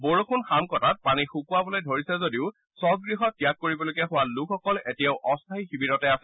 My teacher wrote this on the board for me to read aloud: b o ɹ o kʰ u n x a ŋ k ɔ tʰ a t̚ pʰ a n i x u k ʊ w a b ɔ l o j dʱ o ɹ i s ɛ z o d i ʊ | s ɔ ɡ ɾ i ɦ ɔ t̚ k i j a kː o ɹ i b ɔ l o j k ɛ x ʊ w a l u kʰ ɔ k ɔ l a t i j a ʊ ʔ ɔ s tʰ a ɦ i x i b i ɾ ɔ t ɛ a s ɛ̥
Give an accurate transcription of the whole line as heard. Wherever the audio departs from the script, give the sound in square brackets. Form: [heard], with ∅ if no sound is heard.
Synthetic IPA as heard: b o ɹ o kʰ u n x a [m] k ɔ [t] a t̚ [p] a n i x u k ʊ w a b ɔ l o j dʱ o ɹ i s ɛ z o d i ʊ | s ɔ ɡ [ɹ] i ɦ ɔ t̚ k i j a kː o ɹ i b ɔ l o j k ɛ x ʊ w a l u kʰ ɔ k ɔ l [e] t i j a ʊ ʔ ɔ s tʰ a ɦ i x i b i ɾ ɔ t ɛ a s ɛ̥

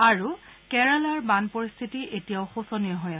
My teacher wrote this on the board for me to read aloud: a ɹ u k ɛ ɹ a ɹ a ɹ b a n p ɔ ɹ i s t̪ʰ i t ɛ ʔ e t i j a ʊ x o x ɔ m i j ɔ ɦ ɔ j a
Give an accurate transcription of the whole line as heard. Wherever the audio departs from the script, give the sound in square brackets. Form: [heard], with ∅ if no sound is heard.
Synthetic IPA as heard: a ɹ u k ɛ ɹ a [l] a ɹ b a n p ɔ ɹ i s t̪ʰ i t [i] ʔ e t i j a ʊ x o [s] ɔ [n] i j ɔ ɦ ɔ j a

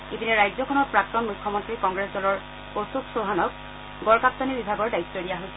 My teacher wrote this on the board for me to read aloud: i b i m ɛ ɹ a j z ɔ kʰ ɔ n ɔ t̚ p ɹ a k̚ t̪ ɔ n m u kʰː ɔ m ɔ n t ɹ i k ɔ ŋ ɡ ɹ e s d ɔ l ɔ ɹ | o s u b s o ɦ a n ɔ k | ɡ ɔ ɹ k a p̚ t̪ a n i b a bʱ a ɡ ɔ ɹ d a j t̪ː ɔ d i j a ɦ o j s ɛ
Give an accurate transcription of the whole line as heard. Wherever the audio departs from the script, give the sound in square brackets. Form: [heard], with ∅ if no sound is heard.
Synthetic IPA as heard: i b i [n] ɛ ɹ a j z ɔ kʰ ɔ n ɔ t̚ p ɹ a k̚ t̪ ɔ n m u kʰː ɔ m ɔ n t ɹ i k ɔ ŋ ɡ ɹ e s d ɔ l ɔ ɹ | o s u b s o ɦ a n ɔ k | ɡ ɔ ɹ k a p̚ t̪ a n i b [i] bʱ a ɡ ɔ ɹ d a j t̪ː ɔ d i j a ɦ o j s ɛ

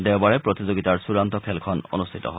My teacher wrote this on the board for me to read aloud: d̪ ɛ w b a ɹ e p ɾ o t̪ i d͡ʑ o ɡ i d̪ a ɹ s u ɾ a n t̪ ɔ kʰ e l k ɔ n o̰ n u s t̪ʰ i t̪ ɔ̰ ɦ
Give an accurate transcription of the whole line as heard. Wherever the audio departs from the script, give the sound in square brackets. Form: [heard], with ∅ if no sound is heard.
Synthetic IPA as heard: d̪ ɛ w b a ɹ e p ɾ o t̪ i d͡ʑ o ɡ i [t̪] a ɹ s u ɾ a n t̪ ɔ kʰ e l [kʰ] ɔ n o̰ n u s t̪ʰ i t̪ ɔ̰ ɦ

